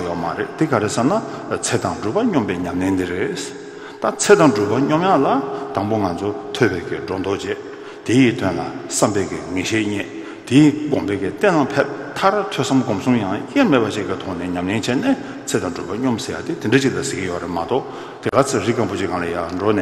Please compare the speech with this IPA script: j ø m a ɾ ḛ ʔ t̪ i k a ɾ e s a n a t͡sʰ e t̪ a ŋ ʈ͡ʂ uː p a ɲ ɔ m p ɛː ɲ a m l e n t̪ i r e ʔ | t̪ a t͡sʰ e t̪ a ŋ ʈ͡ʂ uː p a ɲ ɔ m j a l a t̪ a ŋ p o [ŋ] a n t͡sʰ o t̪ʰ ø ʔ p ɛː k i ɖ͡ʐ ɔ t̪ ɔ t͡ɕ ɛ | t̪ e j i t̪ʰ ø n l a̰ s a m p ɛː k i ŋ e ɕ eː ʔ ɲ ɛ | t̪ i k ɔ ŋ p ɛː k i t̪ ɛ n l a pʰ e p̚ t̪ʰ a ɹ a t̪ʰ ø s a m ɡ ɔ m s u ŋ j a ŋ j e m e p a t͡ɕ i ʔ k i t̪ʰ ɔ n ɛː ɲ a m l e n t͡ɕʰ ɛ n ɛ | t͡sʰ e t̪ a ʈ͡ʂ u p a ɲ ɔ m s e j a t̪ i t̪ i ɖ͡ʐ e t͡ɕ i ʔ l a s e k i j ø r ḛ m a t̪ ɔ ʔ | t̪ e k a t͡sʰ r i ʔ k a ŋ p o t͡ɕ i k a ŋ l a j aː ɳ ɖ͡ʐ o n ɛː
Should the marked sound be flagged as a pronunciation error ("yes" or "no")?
no